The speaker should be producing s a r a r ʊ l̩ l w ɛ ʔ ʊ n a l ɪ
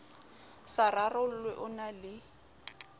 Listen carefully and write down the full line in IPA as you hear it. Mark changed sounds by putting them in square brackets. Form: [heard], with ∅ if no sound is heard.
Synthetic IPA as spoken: s a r a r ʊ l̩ l w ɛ ʔ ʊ n a l ɪ